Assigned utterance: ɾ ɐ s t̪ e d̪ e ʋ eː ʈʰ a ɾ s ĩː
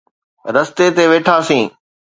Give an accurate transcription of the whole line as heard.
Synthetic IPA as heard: ɾ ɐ s t̪ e t̪ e ʋ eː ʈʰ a s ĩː